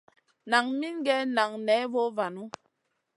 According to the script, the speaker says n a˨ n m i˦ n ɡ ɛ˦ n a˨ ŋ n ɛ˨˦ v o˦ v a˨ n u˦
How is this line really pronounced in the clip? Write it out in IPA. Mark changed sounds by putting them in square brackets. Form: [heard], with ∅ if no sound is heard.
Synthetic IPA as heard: n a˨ [ŋ] m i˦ n ɡ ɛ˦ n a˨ ŋ n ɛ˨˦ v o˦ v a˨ n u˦